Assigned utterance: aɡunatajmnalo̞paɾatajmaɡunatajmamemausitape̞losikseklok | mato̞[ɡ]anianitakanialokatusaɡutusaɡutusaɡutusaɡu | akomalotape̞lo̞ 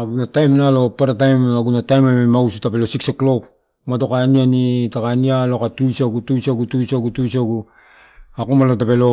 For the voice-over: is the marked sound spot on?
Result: no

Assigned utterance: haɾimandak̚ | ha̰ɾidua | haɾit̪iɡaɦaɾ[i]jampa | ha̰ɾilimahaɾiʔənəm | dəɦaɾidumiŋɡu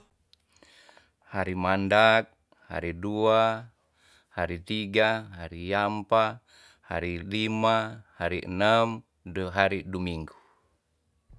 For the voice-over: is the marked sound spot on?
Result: yes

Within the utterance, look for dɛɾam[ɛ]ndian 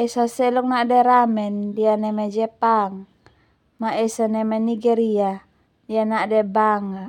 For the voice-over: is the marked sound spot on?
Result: yes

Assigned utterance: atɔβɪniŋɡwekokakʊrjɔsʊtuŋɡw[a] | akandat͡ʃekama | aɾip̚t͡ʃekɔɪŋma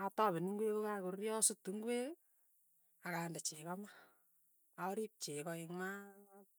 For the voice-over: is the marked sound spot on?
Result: no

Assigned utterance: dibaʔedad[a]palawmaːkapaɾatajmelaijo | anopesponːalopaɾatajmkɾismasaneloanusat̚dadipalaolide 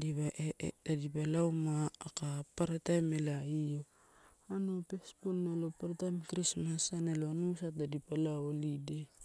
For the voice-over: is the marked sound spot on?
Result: no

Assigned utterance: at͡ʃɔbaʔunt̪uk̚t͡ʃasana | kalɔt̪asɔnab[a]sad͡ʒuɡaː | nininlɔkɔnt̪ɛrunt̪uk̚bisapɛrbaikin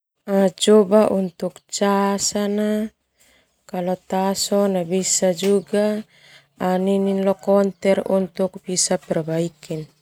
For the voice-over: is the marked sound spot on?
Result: no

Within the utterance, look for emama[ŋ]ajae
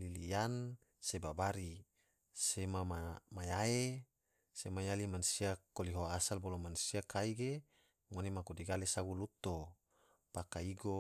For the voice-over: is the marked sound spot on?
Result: no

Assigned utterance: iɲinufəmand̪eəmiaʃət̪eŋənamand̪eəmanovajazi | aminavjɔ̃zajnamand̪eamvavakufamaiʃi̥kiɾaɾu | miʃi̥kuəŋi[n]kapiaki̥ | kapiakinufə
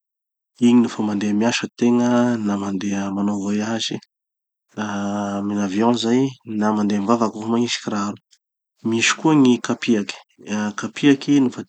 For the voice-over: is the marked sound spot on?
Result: no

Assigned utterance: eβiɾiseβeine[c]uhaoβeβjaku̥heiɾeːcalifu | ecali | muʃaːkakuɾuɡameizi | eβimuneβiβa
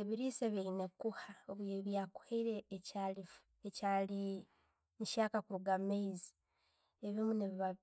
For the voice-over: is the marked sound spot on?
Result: no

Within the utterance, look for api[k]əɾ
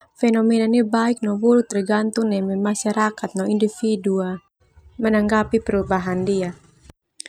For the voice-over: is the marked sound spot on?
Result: no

